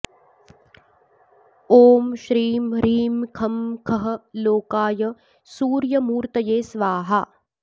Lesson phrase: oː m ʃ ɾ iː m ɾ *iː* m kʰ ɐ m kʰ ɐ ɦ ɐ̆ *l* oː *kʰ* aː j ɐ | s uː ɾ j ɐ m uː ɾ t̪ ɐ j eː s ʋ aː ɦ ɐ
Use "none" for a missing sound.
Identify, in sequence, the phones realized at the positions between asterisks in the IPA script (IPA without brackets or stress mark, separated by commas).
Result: iː, l, k